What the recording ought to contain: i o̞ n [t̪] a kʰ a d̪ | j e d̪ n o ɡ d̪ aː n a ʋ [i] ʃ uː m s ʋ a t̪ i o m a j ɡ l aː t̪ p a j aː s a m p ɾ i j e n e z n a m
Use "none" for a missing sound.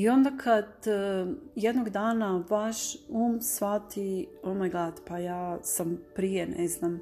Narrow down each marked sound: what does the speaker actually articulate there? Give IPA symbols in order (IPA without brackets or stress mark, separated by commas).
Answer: d̪, a